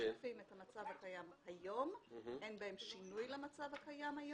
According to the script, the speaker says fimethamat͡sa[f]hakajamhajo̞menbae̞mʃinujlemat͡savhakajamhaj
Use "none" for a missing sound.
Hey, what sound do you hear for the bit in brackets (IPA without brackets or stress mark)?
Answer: v